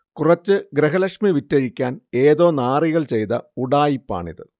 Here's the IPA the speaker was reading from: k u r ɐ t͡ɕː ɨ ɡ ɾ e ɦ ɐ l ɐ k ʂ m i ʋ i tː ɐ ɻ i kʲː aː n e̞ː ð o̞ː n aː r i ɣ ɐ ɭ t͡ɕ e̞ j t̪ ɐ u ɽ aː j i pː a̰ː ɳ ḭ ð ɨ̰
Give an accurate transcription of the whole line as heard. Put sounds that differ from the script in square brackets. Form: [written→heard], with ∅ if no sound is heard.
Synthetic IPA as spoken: k u r ɐ t͡ɕː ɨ ɡ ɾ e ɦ ɐ l ɐ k ʂ m i ʋ i tː ɐ ɻ i kʲː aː n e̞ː ð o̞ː n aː r i ɣ ɐ ɭ t͡ɕ e̞ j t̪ ɐ u ɽ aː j i pː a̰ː ɳ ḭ ð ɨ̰